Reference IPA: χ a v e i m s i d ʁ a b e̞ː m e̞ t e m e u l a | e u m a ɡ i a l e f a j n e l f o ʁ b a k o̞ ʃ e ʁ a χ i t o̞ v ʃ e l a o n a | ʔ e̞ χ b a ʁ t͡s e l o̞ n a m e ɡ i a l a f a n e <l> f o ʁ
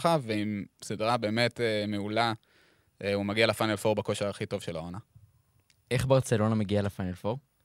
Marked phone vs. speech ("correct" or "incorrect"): correct